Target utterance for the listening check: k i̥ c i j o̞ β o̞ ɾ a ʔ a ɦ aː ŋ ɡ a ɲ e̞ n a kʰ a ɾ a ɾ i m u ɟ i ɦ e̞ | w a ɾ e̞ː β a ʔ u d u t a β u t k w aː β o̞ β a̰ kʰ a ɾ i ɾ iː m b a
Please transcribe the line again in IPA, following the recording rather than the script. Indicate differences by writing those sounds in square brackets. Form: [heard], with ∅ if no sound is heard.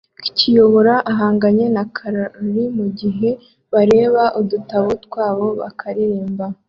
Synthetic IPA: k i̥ c i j o̞ β o̞ ɾ a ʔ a ɦ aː ŋ ɡ a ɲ e̞ n a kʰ a ɾ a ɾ i m u ɟ i ɦ e̞ | [β] a ɾ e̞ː β a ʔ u d u t a β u t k w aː β o̞ β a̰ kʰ a ɾ i ɾ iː m b a